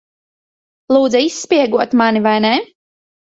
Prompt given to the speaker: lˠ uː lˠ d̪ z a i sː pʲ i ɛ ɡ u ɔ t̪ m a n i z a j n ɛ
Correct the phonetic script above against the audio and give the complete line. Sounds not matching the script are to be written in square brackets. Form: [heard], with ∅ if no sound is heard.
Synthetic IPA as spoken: lˠ uː [∅] d̪ z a i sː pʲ i ɛ ɡ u ɔ t̪ m a n i [v] a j n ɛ